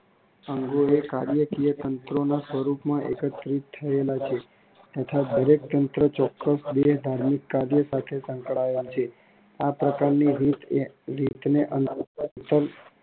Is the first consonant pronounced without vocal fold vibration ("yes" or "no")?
no